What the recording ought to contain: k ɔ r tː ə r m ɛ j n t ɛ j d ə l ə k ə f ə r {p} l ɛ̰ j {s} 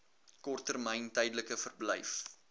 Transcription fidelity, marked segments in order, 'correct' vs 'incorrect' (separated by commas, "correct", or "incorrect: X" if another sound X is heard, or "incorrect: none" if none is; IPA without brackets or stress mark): incorrect: b, incorrect: f